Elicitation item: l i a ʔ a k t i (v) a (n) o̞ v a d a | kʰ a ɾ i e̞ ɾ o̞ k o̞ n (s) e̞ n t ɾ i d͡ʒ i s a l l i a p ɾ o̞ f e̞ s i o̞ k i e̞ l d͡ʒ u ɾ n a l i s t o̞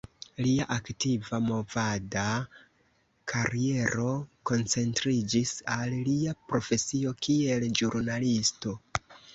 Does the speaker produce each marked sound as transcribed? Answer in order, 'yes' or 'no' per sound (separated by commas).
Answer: yes, no, no